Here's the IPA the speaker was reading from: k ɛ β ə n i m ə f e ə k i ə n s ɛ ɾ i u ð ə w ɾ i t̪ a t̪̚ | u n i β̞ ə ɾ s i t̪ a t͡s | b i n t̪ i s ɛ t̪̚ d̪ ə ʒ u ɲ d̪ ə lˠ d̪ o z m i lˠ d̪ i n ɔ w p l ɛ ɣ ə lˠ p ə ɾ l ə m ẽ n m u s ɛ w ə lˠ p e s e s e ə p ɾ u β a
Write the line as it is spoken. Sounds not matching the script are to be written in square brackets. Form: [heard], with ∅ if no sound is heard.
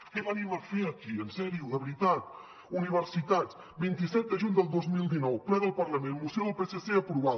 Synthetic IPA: k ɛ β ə n i m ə f e ə k i ə n s ɛ ɾ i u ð ə [β] ɾ i t̪ a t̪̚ | u n i β̞ ə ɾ s i t̪ a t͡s | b i n t̪ i s ɛ t̪̚ d̪ ə ʒ u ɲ d̪ ə lˠ d̪ o z m i lˠ d̪ i n ɔ w p l ɛ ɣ ə lˠ p ə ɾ l ə m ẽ n m u s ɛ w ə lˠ p e s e s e ə p ɾ u β a

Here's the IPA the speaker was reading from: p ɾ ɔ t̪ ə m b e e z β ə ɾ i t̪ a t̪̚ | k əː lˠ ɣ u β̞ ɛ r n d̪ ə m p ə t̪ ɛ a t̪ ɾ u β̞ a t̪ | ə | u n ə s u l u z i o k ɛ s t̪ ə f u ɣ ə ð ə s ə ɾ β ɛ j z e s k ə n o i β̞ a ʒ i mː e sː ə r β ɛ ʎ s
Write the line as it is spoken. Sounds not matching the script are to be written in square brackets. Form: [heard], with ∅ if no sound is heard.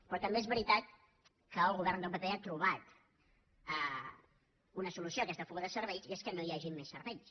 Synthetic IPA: p ɾ ɔ t̪ ə m b e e z β ə ɾ i t̪ a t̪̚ | k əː lˠ ɣ u β̞ ɛ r n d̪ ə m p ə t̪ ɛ a t̪ ɾ u β̞ a t̪ | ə | u n ə s u l u [s] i o k ɛ s t̪ ə f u ɣ ə ð ə s ə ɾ β ɛ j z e s k ə n o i [∅] a ʒ i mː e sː ə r β ɛ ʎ s

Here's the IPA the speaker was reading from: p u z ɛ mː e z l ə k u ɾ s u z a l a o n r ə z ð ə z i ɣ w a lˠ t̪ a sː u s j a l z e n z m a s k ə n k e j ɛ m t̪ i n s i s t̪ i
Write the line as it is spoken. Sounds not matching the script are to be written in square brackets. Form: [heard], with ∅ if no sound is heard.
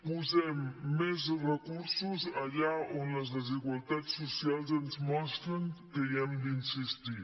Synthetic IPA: p u z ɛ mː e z [r] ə k u ɾ s u z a [ʎ] a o n [l] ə z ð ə z i ɣ w a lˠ t̪ a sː u s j a l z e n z m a s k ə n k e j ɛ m [d̪] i n s i s t̪ i

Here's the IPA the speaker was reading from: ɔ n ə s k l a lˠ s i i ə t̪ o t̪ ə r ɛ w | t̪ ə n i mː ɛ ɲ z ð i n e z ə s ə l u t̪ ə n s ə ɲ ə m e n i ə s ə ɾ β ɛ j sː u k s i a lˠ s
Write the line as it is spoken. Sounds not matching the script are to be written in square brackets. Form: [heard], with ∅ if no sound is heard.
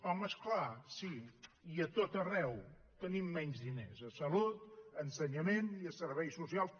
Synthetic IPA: ɔ [m] ə s k l a [∅] s i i ə t̪ o t̪ ə r ɛ w | t̪ ə n i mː ɛ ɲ z ð i n e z ə s ə l u t̪ ə n s ə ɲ ə m e n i ə s ə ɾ β ɛ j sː u [∅] s i a lˠ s

